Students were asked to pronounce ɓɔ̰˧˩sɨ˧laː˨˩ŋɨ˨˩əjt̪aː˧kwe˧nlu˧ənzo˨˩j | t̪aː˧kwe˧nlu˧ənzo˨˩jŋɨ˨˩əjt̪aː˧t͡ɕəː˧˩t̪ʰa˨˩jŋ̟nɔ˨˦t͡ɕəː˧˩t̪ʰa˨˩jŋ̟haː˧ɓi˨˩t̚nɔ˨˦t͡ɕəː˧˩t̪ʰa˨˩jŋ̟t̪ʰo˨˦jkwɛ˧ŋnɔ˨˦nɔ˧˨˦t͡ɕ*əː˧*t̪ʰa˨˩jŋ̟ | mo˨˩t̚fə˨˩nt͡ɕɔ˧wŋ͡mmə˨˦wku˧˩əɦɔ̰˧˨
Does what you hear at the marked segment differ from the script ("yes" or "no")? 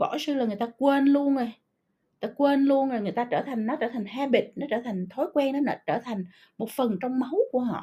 yes